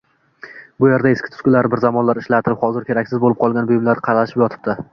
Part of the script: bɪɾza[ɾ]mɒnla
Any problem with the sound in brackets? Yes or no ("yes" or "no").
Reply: yes